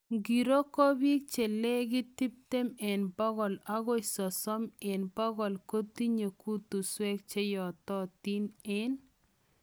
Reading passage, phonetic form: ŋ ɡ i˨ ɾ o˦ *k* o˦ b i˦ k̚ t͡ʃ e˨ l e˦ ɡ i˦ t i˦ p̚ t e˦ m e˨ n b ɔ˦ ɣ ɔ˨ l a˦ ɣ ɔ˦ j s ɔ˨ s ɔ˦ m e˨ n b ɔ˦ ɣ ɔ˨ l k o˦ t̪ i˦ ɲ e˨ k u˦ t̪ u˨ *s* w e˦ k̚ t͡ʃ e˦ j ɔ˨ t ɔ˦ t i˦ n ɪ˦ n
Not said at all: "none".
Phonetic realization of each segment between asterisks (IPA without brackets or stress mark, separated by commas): k, s